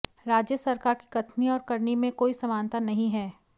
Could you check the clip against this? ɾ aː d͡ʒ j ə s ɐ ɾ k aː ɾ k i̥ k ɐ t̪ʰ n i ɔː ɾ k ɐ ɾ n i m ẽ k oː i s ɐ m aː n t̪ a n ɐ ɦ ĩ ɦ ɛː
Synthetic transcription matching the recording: ɾ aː d͡ʒ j ə s ɐ ɾ k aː ɾ k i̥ k ɐ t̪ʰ n i ɔː ɾ k ɐ ɾ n i m ẽ k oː i s ɐ m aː n t̪ a n ɐ ɦ ĩ ɦ ɛː